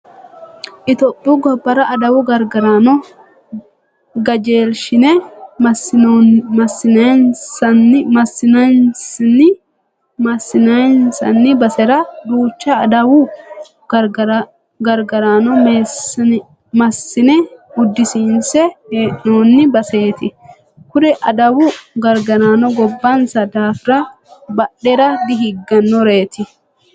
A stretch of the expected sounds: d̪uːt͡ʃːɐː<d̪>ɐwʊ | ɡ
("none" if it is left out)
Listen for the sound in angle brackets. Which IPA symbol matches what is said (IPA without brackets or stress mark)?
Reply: d̪